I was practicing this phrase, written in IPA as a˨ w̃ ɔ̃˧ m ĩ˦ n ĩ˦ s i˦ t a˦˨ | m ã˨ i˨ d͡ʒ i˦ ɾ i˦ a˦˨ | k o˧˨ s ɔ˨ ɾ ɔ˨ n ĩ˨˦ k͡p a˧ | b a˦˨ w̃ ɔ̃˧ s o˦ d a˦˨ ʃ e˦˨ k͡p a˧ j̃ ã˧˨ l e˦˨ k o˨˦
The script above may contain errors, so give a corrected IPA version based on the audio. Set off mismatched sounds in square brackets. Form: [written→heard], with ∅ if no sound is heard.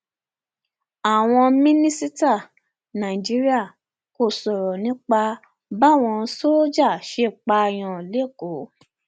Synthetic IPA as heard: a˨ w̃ ɔ̃˧ m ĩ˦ n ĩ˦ s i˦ t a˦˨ | [m→n] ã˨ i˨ d͡ʒ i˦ ɾ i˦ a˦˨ | k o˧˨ s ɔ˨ ɾ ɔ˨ n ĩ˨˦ k͡p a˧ | b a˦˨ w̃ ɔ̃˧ s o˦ [d→d͡ʒ] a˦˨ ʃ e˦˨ k͡p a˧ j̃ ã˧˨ l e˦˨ k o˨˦